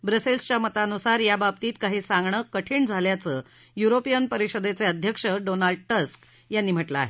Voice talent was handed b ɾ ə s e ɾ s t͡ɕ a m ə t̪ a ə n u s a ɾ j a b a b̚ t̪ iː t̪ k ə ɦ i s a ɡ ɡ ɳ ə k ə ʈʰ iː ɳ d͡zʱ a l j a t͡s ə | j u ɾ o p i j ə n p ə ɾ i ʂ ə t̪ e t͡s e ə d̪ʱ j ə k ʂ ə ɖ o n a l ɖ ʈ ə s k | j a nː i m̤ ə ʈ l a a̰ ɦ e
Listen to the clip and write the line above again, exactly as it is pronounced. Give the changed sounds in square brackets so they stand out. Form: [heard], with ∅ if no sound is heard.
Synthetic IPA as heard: b ɾ ə s e [l] s t͡ɕ a m ə t̪ a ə n u s a ɾ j a b a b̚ t̪ iː t̪ k [a] ɦ i s a [ŋ] ɡ ɳ ə k ə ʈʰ iː ɳ d͡zʱ a l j a t͡s ə | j u ɾ o p i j ə n p ə ɾ i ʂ ə [d̪] e t͡s e ə d̪ʱ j ə k ʂ ə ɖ o n a l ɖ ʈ ə s k | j a nː i m̤ ə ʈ l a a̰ ɦ e

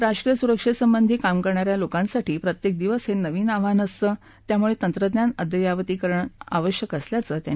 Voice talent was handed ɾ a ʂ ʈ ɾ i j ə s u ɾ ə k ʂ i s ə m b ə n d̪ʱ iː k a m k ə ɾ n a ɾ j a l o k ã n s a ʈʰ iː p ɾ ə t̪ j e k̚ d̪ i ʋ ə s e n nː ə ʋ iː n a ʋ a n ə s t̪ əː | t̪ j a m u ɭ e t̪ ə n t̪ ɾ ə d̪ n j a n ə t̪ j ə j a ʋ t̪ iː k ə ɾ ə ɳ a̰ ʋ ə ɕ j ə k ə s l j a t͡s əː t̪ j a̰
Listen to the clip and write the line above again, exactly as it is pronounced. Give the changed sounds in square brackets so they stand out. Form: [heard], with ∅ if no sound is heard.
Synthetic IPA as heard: ɾ a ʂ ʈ ɾ i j ə s u ɾ ə k ʂ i s ə m b ə n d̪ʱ iː k a m k ə ɾ [ɳ] a ɾ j a l o k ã n s a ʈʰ iː p ɾ ə t̪ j e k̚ d̪ i ʋ ə s e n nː ə ʋ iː n a ʋ a n ə s t̪ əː | t̪ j a m u ɭ e t̪ ə n t̪ ɾ ə d̪ n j a n ə [d̪] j ə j a ʋ t̪ iː k ə ɾ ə ɳ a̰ ʋ ə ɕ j ə k ə s l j a t͡s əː t̪ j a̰

